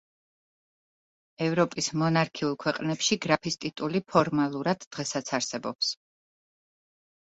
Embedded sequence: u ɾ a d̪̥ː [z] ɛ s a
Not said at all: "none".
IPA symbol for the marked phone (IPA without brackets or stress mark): ʁ